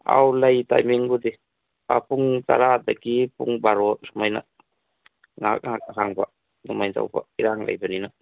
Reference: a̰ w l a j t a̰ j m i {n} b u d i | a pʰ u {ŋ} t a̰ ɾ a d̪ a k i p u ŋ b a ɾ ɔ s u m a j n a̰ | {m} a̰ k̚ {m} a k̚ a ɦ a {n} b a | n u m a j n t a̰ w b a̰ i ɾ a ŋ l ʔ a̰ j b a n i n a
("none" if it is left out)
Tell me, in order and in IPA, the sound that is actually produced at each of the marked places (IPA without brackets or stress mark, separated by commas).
ŋ, ŋ, ŋ, ŋ, ŋ